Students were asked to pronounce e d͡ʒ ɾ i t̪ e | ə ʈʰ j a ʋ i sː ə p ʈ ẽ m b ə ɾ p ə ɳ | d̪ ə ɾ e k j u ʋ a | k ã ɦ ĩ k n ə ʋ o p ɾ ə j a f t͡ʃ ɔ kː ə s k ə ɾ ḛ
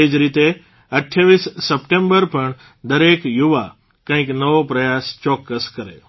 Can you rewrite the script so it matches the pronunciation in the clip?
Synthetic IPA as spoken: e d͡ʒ ɾ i t̪ e | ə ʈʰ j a ʋ i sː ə p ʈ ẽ m b ə ɾ p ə ɳ | d̪ ə ɾ e k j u ʋ a | k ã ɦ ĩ k n ə ʋ o p ɾ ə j a s t͡ʃ ɔ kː ə s k ə ɾ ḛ